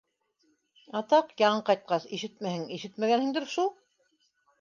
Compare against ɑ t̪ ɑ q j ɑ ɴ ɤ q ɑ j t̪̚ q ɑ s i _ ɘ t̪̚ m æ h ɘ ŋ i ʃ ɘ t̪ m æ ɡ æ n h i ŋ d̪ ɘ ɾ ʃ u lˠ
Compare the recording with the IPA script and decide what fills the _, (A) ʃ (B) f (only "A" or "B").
A